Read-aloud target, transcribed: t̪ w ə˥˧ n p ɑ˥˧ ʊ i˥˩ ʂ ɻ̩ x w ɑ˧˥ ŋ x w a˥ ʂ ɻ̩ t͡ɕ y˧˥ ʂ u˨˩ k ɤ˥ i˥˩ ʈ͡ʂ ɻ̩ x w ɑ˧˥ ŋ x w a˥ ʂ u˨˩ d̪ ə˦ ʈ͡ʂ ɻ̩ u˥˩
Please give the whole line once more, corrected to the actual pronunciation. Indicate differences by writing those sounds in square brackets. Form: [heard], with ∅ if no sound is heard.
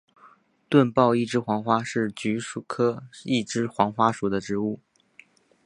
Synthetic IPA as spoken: t̪ w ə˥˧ n p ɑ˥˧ ʊ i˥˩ [ʈ͡ʂ] ɻ̩ x w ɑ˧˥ ŋ x w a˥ ʂ ɻ̩ t͡ɕ y˧˥ ʂ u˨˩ [kʰ] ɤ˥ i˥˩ ʈ͡ʂ ɻ̩ x w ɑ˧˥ ŋ x w a˥ ʂ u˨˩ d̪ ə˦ ʈ͡ʂ ɻ̩ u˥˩